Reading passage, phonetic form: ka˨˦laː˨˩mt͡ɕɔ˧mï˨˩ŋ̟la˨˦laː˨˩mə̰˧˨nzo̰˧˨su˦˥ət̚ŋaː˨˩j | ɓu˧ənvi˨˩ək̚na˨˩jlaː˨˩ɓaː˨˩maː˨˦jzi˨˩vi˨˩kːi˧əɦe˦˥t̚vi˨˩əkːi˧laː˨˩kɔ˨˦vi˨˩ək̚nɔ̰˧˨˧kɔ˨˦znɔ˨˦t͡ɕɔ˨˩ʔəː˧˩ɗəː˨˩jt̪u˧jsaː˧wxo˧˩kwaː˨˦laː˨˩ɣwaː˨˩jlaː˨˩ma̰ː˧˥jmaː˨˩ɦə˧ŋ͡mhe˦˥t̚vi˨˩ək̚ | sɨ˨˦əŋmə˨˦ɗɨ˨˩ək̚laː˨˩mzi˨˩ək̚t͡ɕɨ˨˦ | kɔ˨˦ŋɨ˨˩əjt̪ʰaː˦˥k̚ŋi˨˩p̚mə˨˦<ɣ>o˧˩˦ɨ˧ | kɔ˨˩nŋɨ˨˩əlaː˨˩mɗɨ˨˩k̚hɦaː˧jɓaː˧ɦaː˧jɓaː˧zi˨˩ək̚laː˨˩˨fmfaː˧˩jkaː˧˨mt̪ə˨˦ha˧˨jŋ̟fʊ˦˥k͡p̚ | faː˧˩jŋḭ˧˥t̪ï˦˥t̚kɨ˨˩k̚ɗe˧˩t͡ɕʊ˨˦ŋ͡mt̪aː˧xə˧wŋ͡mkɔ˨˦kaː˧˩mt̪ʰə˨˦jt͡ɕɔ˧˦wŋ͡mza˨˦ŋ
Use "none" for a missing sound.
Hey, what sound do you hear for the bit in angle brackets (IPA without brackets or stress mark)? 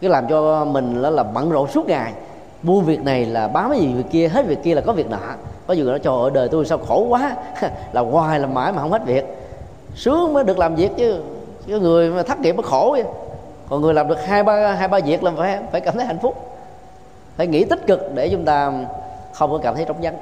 x